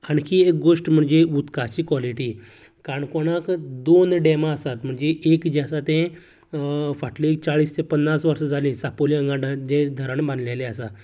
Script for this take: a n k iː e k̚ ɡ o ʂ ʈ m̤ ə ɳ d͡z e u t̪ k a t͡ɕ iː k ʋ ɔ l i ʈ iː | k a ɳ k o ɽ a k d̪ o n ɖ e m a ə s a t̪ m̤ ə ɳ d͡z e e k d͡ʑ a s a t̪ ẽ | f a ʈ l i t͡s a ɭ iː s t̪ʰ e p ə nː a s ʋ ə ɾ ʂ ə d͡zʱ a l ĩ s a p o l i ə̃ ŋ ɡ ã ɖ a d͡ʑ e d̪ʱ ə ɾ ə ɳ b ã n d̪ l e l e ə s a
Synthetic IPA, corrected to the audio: a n k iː e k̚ ɡ o ʂ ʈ m̤ ə ɳ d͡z e u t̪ k a t͡ɕ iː k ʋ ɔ l i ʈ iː | k a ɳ k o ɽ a k d̪ o n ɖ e m a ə s a t̪ m̤ ə ɳ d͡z e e k d͡ʑ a s a t̪ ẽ | f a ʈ l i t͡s a ɭ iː s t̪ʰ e p ə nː a s ʋ ə ɾ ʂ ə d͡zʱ a l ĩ s a p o l i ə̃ ŋ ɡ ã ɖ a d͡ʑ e d̪ʱ ə ɾ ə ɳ b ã n d̪ l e l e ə s a